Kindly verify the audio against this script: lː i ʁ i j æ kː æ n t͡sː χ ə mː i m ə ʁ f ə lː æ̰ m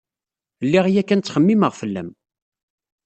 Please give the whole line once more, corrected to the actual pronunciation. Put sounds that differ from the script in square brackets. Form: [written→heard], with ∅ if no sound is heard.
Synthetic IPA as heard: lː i ʁ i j æ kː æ n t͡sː χ ə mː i m ə ʁ f ə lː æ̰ m